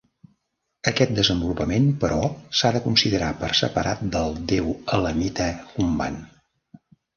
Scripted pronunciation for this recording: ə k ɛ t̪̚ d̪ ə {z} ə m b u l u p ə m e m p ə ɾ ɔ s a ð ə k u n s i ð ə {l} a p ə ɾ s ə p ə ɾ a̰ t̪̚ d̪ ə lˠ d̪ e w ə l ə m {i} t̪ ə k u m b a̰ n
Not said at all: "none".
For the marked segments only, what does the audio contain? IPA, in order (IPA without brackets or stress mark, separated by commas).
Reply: z, ɾ, i